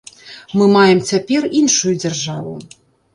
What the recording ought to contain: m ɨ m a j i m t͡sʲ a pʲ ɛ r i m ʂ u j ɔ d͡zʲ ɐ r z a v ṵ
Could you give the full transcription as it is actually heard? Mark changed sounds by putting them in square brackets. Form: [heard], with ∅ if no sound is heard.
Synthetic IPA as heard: m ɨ m a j [ɛ] m t͡sʲ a pʲ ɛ r i [n] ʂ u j [u] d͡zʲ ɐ r [ʐ] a v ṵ